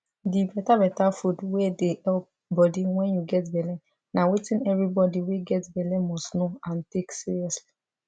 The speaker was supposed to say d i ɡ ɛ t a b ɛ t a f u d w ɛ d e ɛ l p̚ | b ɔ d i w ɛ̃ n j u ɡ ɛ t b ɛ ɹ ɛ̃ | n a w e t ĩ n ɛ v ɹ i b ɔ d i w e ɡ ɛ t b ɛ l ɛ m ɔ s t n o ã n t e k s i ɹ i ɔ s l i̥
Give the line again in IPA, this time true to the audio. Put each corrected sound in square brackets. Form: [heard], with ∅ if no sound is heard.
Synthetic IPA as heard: d i [b] ɛ t a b ɛ t a f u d w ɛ d e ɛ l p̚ | b ɔ d i w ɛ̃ n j u ɡ ɛ t b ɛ [l] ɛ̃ | n a w e t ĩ n ɛ v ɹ i b ɔ d i w e ɡ ɛ t b ɛ l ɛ m ɔ s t n o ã n t e k s i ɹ i ɔ s l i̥